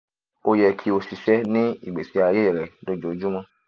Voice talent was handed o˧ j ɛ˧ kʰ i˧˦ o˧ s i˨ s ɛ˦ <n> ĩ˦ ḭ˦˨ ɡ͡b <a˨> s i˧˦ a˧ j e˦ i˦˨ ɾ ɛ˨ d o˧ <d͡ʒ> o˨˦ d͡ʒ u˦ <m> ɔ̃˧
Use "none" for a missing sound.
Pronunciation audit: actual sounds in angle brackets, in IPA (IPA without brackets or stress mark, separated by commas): n, e˨, d͡ʒ, m